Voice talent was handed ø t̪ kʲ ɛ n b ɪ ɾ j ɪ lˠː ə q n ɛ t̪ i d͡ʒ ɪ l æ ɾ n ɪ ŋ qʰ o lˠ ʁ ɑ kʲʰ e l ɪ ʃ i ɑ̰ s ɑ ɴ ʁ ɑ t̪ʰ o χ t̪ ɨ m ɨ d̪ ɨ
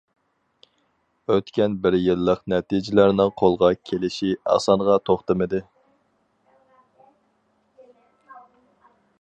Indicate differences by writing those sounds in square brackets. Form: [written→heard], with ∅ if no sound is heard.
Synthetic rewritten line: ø t̪ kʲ ɛ n b ɪ ɾ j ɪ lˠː ə q n ɛ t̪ i d͡ʒ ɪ l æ ɾ n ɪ ŋ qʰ o lˠ ʁ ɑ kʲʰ e l ɪ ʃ i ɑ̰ s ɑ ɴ ʁ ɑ t̪ʰ o χ t̪ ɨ m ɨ d̪ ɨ